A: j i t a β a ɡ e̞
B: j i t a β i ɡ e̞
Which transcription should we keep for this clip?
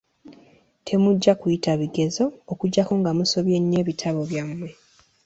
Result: B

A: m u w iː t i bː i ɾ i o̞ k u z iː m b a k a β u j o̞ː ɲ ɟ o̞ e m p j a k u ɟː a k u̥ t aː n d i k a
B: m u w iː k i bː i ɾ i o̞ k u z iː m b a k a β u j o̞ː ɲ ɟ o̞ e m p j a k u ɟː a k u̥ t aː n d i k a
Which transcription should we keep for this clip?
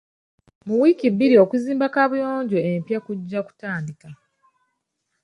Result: B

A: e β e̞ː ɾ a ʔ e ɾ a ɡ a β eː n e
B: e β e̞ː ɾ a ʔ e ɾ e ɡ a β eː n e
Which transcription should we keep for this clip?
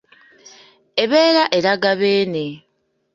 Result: A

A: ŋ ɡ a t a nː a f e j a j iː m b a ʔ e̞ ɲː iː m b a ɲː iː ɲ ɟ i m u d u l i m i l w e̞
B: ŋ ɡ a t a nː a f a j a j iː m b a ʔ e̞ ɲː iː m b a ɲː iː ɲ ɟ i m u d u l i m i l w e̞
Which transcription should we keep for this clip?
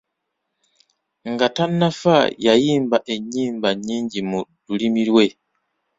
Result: B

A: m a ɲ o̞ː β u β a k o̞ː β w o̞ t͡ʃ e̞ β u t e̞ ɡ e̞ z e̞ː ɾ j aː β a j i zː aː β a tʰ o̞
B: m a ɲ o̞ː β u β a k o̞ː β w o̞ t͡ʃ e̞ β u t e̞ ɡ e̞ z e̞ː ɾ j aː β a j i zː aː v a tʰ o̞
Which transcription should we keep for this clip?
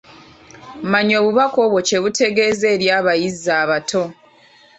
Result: A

